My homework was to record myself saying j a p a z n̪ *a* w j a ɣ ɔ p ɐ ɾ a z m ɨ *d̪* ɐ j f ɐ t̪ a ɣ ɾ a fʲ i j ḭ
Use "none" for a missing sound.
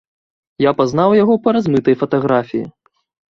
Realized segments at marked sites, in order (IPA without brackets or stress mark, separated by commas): a, t̪